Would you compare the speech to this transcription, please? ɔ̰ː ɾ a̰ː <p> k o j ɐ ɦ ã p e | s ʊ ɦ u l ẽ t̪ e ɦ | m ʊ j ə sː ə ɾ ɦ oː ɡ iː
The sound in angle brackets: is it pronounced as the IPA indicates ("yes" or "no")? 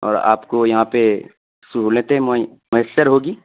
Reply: yes